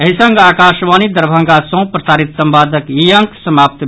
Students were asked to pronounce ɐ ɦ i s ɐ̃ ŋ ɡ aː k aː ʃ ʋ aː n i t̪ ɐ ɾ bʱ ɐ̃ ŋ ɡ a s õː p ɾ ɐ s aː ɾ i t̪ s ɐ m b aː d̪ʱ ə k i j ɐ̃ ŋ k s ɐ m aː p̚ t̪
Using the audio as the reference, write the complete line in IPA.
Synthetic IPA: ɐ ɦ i s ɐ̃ ŋ ɡ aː k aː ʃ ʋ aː n i d̪ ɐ ɾ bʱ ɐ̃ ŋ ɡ a s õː p ɾ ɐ s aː ɾ i t̪ s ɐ m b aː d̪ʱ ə k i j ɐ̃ ŋ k s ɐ m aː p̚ t̪